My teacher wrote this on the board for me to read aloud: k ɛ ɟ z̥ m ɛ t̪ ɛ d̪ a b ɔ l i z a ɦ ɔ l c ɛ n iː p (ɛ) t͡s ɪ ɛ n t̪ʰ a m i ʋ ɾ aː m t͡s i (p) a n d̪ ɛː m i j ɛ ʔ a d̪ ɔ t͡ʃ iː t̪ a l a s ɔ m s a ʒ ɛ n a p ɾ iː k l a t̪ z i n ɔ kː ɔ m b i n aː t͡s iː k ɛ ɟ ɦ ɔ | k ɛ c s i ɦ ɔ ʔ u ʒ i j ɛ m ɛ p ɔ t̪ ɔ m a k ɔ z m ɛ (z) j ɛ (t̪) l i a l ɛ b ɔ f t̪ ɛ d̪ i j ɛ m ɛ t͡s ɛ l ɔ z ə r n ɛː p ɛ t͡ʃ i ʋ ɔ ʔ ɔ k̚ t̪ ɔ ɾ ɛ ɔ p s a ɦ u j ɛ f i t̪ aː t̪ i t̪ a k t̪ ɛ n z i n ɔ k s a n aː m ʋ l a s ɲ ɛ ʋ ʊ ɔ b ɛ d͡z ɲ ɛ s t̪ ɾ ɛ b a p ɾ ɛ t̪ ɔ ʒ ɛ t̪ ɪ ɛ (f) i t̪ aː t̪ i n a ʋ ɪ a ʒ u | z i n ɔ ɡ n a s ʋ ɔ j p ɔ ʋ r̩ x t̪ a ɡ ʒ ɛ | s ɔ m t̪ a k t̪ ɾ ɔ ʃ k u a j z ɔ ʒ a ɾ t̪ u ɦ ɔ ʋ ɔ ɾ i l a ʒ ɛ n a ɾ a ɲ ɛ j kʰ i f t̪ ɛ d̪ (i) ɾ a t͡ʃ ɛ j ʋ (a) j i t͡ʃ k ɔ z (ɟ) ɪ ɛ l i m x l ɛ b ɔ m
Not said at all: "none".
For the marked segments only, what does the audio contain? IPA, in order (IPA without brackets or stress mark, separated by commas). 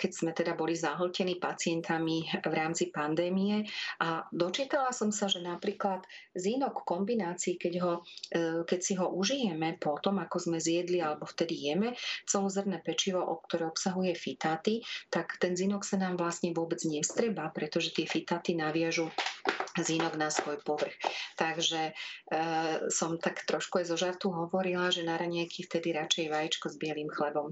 a, p, z, d̪, f, i, a, b